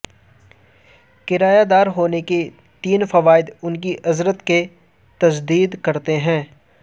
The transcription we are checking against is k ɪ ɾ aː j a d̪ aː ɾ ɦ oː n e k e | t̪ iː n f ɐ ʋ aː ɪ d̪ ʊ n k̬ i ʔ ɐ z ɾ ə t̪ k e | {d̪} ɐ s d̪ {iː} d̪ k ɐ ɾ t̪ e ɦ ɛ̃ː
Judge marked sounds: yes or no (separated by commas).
no, yes